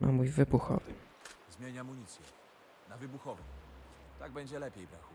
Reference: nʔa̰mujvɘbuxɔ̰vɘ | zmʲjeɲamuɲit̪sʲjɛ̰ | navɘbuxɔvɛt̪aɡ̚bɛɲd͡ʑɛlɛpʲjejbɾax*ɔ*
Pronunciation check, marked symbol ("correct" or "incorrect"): incorrect